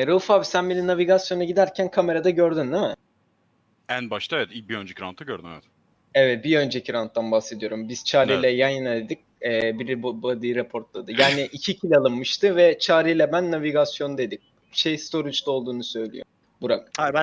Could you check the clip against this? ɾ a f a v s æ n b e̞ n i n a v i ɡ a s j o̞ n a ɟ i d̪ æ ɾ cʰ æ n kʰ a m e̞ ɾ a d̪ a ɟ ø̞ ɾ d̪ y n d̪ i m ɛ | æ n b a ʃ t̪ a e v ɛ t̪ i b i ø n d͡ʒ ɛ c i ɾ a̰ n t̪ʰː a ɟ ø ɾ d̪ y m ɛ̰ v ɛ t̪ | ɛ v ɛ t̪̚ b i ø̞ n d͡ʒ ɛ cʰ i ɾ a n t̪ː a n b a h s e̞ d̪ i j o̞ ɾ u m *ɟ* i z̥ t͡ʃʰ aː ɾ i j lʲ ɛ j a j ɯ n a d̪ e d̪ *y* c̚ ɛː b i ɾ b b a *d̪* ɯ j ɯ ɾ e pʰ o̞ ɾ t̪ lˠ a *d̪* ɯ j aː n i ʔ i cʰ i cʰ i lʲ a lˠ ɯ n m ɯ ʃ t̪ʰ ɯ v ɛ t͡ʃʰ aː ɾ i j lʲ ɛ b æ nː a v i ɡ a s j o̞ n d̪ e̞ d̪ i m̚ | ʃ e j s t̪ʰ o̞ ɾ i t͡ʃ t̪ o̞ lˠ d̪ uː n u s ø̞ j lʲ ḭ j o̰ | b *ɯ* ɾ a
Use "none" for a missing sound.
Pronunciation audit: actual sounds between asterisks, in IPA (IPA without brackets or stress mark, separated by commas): b, i, d̪, d̪, u